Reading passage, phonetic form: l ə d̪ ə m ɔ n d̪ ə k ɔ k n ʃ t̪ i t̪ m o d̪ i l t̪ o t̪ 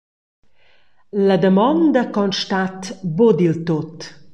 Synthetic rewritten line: l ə d̪ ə m ɔ n d̪ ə k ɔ n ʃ t̪ a t̪ b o d̪ i l t̪ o t̪

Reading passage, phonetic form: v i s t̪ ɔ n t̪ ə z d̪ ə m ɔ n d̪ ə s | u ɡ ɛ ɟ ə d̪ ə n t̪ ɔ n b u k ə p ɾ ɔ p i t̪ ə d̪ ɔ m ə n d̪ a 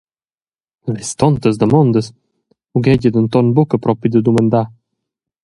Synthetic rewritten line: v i s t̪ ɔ n t̪ ə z d̪ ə m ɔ n d̪ ə s | u ɡ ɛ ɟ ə d̪ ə n t̪ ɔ n b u k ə p ɾ ɔ p i d̪ ə d̪ u m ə n d̪ a

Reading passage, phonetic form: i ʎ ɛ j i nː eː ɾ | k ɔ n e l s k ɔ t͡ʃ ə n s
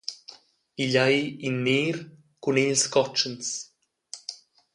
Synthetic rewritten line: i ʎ a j i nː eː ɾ | k u n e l s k ɔ t͡ʃ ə n s

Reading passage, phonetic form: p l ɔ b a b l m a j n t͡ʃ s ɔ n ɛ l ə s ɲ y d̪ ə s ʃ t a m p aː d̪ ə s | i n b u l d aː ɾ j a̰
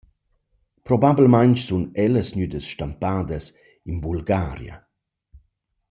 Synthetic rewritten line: p ɾ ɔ b a b l m a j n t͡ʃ s u n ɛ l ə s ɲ y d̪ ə s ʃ t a m p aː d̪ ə s | i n b u l ɡ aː ɾ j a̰

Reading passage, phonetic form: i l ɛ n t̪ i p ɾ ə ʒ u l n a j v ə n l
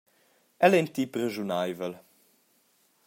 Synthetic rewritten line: ɛ l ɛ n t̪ i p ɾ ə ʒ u n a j v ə l

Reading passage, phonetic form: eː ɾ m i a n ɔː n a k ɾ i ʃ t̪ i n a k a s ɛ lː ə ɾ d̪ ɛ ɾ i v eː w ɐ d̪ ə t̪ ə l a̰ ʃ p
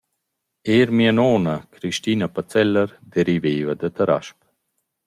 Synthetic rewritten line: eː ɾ m i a n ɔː n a k ɾ i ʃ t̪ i n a p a t͡s ɛ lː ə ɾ d̪ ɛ ɾ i v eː v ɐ d̪ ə t̪ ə ɾ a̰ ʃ p

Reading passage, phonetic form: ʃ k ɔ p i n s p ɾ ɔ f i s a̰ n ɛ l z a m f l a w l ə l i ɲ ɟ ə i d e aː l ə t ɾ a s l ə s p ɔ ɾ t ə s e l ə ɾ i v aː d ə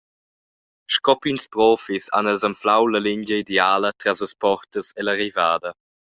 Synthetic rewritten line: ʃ k ɔ p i n s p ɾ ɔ f i s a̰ n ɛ l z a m f l a w l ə l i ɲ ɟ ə i d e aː l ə t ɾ a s l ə s p ɔ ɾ t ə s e l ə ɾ i v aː d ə

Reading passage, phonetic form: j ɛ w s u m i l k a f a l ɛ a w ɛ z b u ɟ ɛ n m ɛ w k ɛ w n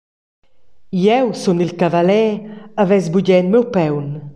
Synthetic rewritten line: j ɛ w s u n i l k a v a l ɛ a v ɛ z b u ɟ ɛ n m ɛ w p ɛ w n

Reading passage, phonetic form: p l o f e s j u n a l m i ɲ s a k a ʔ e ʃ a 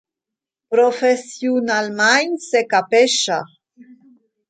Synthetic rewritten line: p ɾ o f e s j u n a l m a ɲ s e k a p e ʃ a

